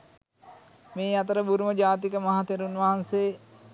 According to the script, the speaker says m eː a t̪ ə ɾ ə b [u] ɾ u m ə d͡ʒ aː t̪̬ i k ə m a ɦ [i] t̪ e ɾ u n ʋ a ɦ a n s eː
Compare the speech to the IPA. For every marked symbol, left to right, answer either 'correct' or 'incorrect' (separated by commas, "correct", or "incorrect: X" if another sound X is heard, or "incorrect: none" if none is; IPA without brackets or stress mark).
correct, incorrect: a